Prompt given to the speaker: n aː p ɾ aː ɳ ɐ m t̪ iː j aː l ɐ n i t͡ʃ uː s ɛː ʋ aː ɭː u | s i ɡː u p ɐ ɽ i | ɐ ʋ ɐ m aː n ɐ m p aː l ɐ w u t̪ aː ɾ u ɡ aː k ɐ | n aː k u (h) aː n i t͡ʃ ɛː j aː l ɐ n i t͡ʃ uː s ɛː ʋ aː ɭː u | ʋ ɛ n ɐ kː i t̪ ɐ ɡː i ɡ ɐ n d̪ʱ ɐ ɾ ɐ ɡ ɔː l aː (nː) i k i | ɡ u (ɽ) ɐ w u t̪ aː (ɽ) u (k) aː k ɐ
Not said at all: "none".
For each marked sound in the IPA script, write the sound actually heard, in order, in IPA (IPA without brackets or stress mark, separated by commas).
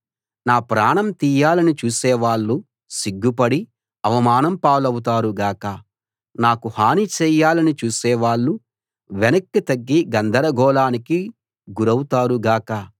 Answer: h, n, ɾ, ɾ, ɡ